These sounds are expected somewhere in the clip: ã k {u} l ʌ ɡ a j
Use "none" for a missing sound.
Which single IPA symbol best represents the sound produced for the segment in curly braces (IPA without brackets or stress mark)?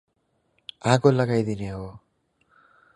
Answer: o